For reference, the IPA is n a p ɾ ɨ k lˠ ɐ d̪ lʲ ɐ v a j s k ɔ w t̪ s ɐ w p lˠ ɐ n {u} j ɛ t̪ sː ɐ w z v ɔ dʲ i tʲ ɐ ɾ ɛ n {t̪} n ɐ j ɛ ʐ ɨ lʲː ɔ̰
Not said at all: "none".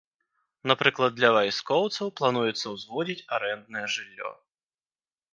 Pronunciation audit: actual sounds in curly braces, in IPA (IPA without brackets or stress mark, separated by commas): u, d̪